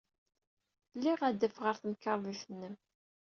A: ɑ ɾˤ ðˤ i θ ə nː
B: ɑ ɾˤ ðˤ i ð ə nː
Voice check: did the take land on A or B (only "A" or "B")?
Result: A